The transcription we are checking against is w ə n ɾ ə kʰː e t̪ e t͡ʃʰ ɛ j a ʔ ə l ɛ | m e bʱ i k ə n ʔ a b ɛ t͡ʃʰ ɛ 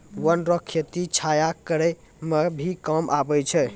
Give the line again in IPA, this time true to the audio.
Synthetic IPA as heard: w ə n ɾ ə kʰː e t̪ i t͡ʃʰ a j a k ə ɾ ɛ | m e bʱ i k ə m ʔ a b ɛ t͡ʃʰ ɛ

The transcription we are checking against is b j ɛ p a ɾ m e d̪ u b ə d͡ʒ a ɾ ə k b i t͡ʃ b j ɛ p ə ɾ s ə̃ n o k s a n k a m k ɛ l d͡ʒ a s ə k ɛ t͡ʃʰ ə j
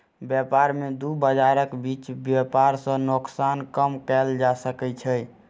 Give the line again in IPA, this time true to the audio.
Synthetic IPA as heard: b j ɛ p a ɾ m e d̪ u b ə d͡ʒ a ɾ ə k b i t͡ʃ b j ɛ p a ɾ s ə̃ n o k s a n k ə m k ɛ l d͡ʒ a s ə k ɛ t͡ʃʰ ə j

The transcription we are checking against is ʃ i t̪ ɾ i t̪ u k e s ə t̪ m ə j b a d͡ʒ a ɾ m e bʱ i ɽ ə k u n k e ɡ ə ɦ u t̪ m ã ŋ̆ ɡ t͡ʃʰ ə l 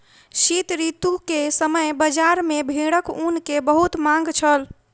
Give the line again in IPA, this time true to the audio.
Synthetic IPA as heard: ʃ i t̪ ɾ i t̪ u k e s ə m ə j b ə d͡ʒ a ɾ m e bʱ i ɽ ə k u n k e b ə ɦ u t̪ m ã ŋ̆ ɡ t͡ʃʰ ə l

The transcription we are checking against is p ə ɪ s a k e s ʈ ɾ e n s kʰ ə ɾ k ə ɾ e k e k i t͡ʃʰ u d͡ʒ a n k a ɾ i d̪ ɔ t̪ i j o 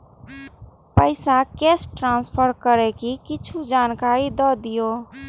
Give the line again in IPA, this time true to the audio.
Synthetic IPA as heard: p ə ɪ s a k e s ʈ ɾ a n s pʰ ə ɾ k ə ɾ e k i k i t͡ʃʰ u d͡ʒ a n k a ɾ i d̪ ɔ d̪ i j o

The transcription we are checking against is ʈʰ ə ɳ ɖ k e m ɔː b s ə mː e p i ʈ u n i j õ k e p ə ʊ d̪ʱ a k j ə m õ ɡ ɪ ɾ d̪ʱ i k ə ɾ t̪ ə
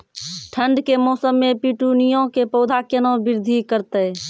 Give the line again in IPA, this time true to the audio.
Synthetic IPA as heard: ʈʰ ə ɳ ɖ k e m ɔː s ə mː e p i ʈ u n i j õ k e p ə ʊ d̪ʱ a k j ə n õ b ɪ ɾ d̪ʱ i k ə ɾ t̪ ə

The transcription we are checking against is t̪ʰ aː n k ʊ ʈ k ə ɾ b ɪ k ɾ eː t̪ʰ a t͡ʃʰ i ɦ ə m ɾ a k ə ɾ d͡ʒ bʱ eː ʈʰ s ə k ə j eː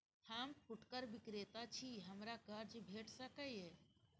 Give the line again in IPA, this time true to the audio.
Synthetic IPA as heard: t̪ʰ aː m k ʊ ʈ k ə ɾ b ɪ k ɾ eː t̪ a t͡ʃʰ i ɦ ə m ɾ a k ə ɾ d͡ʒ bʱ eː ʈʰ s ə k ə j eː

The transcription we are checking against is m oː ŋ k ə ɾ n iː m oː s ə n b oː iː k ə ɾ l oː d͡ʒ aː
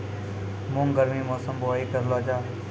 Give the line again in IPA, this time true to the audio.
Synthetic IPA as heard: m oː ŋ ɡ ə ɾ m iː m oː s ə m b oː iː k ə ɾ l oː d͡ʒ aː

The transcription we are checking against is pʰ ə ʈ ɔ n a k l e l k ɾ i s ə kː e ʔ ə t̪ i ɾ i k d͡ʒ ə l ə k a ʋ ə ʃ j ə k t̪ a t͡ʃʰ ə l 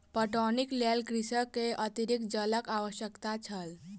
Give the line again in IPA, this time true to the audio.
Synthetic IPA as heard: p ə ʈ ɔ n i k l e l k ɾ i s ə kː e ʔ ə t̪ i ɾ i k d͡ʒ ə l ə k a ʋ ə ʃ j ə k t̪ a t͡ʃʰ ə l

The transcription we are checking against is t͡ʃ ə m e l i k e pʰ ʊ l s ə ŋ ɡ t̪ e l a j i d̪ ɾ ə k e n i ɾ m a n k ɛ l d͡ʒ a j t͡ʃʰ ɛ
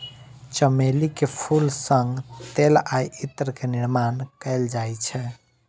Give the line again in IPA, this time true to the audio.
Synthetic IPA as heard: t͡ʃ ə m e l i k e pʰ u l s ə ŋ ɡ t̪ e l a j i t̪ ɾ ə k e n i ɾ m a n k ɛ l d͡ʒ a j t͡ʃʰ ɛ

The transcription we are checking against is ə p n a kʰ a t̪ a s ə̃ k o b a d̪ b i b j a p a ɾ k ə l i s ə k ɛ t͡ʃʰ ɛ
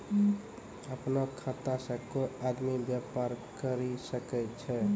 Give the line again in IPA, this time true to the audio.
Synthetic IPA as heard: ə p n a kʰ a t̪ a s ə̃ k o a d̪ m i b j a p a ɾ k ə ɾ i s ə k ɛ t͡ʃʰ ɛ

